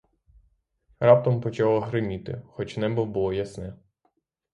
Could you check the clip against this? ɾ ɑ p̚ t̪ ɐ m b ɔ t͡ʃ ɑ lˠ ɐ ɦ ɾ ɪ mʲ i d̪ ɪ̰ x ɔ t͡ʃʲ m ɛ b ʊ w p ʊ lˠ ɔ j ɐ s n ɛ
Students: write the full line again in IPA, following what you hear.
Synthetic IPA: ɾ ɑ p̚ t̪ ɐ m p ɔ t͡ʃ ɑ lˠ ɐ ɦ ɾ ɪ mʲ i t̪ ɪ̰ x ɔ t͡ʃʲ n ɛ b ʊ w b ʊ lˠ ɔ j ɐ s n ɛ